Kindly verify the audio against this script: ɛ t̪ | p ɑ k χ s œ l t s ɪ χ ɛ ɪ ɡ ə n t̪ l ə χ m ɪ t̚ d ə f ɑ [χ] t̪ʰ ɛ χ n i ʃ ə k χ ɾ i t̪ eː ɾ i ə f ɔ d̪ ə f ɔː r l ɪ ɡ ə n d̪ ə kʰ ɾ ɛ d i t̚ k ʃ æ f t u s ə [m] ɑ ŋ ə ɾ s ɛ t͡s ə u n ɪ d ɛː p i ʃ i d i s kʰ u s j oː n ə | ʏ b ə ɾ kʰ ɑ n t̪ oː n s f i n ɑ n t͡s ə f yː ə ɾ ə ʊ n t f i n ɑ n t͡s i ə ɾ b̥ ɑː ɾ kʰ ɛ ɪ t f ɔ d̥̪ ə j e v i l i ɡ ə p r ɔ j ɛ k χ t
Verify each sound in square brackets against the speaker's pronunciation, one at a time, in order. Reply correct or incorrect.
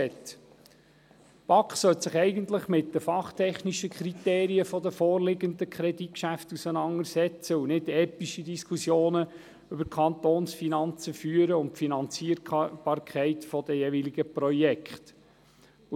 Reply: correct, incorrect

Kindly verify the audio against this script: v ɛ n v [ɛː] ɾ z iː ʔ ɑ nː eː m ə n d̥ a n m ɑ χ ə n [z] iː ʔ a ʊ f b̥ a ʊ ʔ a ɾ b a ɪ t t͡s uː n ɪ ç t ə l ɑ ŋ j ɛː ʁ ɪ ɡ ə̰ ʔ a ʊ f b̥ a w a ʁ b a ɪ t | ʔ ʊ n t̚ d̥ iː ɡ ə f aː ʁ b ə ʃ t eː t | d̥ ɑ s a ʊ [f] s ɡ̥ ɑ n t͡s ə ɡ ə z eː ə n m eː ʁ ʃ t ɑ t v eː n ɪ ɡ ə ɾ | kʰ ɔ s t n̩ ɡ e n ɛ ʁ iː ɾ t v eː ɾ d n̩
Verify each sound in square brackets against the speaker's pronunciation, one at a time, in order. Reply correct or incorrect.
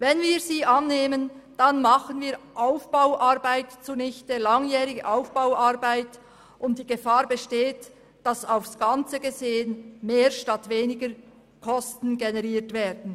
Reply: incorrect, incorrect, correct

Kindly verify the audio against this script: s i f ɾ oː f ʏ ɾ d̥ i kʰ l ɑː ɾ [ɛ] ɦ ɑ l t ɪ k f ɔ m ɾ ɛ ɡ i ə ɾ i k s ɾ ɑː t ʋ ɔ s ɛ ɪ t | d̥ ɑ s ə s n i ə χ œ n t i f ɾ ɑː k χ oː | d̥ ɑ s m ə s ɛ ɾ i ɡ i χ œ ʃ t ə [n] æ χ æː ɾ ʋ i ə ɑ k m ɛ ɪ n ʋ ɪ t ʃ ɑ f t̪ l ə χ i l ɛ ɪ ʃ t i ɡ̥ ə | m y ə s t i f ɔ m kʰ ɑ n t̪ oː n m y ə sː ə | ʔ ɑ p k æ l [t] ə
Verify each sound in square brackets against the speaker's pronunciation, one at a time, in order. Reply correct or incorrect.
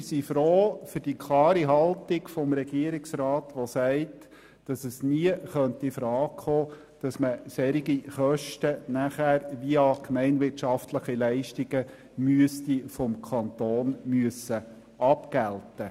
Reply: incorrect, correct, correct

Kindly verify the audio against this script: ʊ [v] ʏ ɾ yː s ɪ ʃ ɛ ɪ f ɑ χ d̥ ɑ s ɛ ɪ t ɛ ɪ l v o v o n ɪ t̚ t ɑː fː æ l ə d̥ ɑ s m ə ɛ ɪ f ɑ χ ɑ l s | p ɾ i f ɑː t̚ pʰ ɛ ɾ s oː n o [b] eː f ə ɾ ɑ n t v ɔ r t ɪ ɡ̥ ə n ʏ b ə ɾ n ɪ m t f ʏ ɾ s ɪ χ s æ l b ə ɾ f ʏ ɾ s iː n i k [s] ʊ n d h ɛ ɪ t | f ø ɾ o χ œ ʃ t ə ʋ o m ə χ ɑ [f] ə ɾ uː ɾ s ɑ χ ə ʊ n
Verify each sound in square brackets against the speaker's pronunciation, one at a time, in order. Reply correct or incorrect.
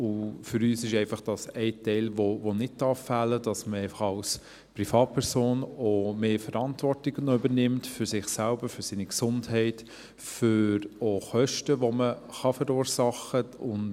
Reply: incorrect, incorrect, correct, correct

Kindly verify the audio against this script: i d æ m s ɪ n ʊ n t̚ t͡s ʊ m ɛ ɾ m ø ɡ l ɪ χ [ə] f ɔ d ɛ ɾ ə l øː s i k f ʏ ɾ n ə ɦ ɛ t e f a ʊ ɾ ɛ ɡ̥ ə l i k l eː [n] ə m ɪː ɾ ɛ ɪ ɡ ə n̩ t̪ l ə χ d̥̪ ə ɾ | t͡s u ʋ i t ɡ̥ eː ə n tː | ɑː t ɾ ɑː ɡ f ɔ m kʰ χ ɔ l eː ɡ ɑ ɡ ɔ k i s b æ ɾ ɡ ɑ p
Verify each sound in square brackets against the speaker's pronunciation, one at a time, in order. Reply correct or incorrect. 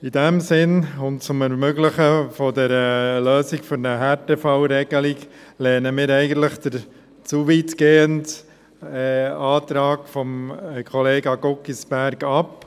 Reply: correct, correct

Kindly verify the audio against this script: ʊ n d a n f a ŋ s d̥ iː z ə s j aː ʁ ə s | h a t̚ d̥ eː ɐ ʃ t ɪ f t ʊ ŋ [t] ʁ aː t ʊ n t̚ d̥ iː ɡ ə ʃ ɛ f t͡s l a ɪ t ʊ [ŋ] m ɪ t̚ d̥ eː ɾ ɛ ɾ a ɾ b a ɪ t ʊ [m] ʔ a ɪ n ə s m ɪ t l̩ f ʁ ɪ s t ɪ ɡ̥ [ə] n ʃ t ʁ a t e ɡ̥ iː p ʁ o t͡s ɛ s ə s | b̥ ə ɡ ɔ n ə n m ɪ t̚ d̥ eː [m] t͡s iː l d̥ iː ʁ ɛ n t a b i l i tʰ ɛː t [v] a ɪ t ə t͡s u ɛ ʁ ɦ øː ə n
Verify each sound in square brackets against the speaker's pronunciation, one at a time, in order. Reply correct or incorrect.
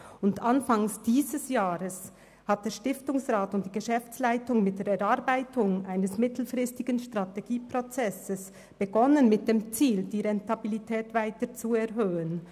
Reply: incorrect, correct, incorrect, correct, correct, correct

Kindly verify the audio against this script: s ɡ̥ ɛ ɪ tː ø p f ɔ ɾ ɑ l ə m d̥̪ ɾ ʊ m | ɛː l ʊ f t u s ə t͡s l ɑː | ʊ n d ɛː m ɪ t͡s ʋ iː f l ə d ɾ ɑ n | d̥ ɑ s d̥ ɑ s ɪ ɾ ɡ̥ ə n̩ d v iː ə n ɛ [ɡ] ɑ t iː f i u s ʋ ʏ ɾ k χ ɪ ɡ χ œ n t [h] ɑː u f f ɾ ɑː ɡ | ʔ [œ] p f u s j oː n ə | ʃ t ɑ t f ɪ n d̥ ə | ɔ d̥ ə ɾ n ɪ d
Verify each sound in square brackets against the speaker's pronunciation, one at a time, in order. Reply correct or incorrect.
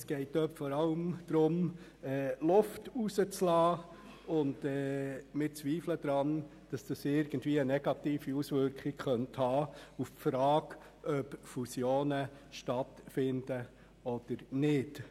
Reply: correct, correct, correct

